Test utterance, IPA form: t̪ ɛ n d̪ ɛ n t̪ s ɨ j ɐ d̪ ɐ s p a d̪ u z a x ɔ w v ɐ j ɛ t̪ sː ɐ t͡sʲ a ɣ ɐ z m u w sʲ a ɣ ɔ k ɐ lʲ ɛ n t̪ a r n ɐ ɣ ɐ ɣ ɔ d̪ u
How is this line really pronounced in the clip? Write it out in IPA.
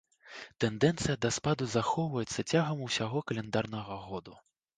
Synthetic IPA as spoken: t̪ ɛ n d̪ ɛ n t̪ s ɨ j ɐ d̪ ɐ s p a d̪ u z a x ɔ w v ɐ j ɛ t̪ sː ɐ t͡sʲ a ɣ ɐ m u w sʲ a ɣ ɔ k ɐ lʲ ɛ n d̪ a r n ɐ ɣ ɐ ɣ ɔ d̪ u